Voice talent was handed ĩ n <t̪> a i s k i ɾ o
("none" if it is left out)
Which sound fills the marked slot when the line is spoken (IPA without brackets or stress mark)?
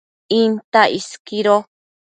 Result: t̪